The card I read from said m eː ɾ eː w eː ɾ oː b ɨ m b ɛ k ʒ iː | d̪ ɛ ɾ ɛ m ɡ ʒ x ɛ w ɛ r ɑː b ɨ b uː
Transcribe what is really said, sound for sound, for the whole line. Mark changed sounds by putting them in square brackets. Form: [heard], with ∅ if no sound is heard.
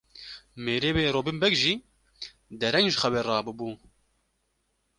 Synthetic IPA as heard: m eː ɾ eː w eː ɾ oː b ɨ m b ɛ k ʒ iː | d̪ ɛ ɾ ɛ [ŋ] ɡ ʒ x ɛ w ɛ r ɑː b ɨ b uː